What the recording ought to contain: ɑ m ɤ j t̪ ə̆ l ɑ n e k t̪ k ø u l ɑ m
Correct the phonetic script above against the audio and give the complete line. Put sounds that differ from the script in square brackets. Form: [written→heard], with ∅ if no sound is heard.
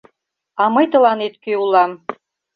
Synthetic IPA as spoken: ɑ m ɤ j t̪ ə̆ l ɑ n e [k→∅] t̪ k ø u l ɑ m